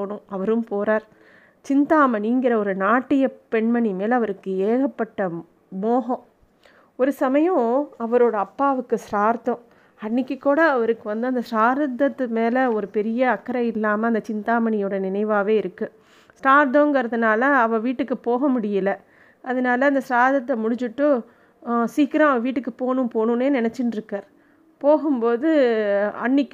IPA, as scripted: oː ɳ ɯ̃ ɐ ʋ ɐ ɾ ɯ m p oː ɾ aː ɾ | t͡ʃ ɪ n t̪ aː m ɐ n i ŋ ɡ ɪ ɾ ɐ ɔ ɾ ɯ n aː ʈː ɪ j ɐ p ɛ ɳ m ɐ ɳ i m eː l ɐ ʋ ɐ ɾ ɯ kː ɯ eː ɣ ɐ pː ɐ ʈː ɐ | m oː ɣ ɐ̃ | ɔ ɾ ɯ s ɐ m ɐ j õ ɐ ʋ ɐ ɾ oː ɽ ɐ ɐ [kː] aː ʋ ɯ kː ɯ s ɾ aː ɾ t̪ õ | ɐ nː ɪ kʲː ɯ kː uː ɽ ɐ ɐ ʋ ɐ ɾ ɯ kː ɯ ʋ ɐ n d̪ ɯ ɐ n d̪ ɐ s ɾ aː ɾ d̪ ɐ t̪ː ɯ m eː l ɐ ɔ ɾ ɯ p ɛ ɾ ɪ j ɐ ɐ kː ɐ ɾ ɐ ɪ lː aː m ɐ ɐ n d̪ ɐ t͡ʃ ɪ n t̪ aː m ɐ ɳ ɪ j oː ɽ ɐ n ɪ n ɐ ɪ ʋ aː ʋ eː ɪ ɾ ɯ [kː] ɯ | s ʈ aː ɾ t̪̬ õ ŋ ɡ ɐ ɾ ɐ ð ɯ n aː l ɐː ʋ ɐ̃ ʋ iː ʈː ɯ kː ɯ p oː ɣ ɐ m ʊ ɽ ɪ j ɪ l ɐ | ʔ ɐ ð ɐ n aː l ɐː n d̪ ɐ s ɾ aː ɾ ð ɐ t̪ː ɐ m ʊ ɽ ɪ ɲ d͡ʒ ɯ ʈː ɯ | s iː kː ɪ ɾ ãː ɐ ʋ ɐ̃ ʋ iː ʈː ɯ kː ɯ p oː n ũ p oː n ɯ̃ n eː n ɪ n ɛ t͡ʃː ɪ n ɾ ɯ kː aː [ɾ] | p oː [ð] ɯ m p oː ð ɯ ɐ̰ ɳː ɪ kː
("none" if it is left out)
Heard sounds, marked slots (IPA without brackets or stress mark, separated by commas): pː, kː, ɾ, ɣ